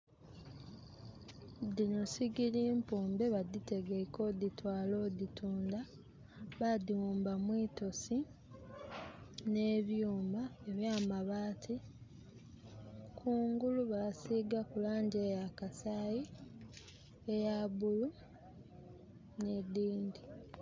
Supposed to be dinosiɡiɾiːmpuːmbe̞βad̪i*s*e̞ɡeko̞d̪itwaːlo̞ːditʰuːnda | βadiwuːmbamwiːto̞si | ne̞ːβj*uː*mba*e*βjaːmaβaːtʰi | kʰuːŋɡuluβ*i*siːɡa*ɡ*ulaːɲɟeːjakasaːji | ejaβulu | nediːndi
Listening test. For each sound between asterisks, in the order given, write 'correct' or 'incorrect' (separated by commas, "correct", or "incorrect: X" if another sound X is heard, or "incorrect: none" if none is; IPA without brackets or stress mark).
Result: incorrect: t, correct, correct, incorrect: a, incorrect: k